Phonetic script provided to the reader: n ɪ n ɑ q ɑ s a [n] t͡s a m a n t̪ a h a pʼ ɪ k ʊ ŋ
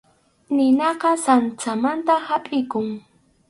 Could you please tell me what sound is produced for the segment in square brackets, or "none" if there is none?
n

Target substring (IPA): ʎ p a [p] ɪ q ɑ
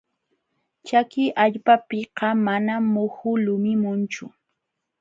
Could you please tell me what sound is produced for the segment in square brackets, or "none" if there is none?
p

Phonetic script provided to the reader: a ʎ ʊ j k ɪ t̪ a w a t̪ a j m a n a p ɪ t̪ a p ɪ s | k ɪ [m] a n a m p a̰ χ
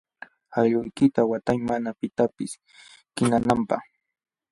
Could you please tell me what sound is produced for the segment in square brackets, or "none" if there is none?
n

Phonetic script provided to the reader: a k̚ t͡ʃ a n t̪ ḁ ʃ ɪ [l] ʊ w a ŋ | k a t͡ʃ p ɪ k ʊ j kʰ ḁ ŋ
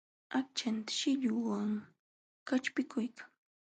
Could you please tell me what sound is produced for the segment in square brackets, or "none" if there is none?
ʎ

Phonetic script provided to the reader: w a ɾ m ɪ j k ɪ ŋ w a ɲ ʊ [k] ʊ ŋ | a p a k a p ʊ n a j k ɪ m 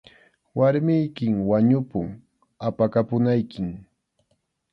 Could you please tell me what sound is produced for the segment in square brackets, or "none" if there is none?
p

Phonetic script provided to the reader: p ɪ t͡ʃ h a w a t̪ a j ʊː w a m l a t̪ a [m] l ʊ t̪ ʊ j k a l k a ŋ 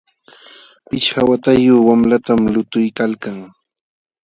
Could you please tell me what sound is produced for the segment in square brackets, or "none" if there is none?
m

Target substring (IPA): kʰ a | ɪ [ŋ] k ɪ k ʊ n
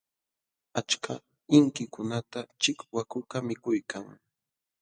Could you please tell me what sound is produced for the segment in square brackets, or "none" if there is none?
ŋ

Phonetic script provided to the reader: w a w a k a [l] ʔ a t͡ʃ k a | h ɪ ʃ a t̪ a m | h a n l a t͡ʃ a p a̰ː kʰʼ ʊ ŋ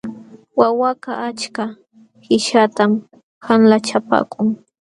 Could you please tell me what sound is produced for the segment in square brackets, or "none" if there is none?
none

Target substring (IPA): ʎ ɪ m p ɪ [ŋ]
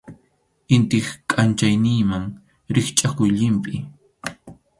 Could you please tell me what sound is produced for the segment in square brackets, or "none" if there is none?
none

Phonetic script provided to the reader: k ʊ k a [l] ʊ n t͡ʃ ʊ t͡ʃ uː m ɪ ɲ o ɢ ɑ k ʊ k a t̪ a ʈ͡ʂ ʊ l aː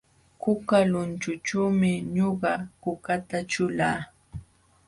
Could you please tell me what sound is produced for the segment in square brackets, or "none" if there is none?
l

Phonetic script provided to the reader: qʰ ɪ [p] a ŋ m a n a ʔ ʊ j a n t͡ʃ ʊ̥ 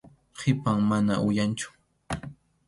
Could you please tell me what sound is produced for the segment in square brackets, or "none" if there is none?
p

